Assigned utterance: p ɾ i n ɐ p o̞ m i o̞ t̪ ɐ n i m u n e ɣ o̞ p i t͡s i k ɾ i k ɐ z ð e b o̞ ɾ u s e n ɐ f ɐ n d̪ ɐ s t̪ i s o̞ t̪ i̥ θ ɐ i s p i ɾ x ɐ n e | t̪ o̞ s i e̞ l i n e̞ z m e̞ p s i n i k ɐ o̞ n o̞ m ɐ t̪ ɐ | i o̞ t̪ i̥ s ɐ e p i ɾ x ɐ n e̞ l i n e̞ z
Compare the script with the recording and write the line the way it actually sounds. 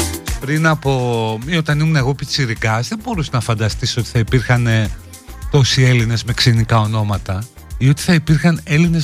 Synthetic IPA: p ɾ i n ɐ p o̞ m i o̞ t̪ ɐ n i m u n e ɣ o̞ p i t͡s i ɾ i k ɐ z ð e b o̞ ɾ u s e n ɐ f ɐ n d̪ ɐ s t̪ i s o̞ t̪ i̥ θ ɐ i p i ɾ x ɐ n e | t̪ o̞ s i e̞ l i n e̞ z m e̞ k s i n i k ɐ o̞ n o̞ m ɐ t̪ ɐ | i o̞ t̪ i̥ θ ɐ i p i ɾ x ɐ n e̞ l i n e̞ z